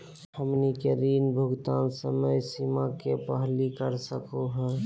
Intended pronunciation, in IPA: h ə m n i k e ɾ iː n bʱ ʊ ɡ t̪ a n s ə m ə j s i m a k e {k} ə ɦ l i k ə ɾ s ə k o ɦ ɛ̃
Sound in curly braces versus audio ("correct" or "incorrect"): incorrect